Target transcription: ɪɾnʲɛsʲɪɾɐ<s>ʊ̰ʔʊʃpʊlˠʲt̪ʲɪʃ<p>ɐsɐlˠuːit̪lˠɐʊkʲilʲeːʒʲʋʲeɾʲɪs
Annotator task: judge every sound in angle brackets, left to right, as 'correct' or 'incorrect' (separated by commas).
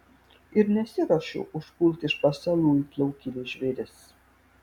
incorrect, correct